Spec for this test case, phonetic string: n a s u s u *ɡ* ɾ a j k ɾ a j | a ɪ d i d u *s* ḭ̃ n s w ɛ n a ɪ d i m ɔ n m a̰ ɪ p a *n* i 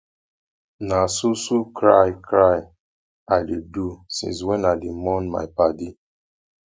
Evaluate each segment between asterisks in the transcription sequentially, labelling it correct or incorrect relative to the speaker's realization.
incorrect, correct, incorrect

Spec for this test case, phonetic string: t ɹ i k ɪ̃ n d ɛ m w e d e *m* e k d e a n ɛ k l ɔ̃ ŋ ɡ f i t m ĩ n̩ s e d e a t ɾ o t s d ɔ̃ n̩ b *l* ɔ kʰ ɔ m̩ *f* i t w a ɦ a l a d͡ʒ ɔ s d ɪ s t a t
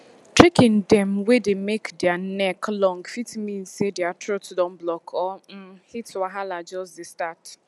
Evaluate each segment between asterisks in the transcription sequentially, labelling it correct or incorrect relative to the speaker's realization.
correct, correct, incorrect

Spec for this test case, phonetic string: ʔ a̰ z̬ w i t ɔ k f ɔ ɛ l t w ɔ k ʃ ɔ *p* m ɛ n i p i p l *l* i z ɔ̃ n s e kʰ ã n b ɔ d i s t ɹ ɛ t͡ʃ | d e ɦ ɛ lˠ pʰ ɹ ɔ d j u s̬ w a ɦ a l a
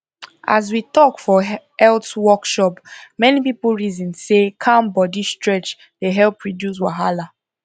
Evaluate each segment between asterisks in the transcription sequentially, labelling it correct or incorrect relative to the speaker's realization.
correct, incorrect

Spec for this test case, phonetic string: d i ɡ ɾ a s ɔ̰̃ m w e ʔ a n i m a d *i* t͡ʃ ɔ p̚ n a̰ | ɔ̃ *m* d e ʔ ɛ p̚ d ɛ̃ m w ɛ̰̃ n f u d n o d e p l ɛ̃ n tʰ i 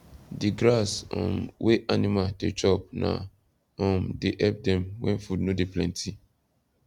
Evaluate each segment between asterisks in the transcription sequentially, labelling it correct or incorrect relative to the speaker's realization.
incorrect, correct

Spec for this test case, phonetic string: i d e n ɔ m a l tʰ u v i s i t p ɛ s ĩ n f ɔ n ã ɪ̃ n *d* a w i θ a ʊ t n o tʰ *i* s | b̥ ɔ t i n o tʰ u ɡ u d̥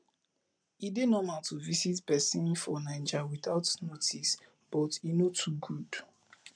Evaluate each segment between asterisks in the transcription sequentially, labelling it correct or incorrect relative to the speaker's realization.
incorrect, correct

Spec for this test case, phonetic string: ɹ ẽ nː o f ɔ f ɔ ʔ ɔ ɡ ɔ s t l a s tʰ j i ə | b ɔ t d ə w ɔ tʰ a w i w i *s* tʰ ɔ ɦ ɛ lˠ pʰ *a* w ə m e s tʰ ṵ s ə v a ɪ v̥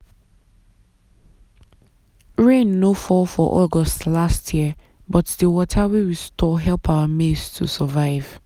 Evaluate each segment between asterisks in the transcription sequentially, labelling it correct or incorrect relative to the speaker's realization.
correct, correct

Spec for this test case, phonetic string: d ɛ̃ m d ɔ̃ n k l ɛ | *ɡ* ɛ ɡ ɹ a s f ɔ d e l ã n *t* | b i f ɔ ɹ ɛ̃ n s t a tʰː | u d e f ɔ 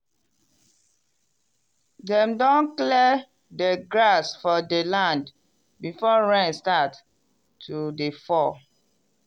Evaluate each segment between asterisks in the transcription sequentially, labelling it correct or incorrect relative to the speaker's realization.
incorrect, incorrect

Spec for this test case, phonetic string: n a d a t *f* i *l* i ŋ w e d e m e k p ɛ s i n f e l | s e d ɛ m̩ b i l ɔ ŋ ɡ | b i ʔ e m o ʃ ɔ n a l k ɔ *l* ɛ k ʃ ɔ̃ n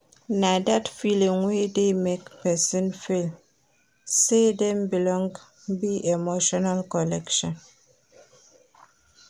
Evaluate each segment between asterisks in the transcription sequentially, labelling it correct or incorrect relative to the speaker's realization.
correct, correct, correct

